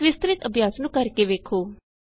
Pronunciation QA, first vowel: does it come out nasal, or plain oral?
oral